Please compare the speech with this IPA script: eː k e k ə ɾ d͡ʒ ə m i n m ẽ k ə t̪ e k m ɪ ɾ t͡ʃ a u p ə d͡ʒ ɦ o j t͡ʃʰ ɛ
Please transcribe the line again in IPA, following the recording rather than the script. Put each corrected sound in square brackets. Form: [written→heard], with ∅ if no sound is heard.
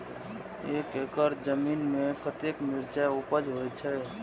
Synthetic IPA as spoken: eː k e k ə ɾ d͡ʒ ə m i n m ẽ k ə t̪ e k m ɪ ɾ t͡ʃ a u p ə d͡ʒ ɦ o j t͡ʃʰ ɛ